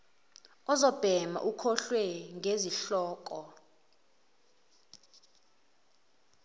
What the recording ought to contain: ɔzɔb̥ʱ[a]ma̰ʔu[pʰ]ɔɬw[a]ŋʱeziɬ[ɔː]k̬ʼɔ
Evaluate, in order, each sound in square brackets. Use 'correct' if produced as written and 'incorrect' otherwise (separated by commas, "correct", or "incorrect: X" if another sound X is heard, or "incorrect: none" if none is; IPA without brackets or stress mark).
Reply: incorrect: ɛ, incorrect: kʰ, incorrect: ɛ, correct